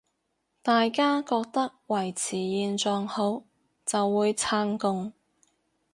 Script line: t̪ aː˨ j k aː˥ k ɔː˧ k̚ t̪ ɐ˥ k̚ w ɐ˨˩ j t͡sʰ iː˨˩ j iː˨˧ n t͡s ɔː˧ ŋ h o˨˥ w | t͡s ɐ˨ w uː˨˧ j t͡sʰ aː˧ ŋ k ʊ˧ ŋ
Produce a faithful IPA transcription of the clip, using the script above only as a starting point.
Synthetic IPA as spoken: t̪ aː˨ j k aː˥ k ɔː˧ k̚ t̪ ɐ˥ k̚ w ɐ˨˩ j t͡sʰ iː˨˩ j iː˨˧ n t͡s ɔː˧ ŋ h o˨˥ w | t͡s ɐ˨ wː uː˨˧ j t͡sʰ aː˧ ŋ k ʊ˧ ŋ